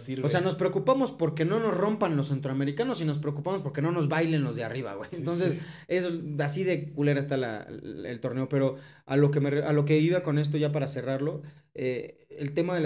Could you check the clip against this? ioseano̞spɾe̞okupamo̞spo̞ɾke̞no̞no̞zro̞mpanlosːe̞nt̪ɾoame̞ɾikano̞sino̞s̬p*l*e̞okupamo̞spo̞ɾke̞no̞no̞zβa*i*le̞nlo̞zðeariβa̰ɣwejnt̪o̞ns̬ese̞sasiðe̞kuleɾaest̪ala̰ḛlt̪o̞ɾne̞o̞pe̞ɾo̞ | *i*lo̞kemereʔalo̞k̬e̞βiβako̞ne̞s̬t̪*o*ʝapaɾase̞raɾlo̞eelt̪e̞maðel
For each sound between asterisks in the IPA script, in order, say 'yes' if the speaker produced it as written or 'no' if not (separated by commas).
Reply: no, no, no, yes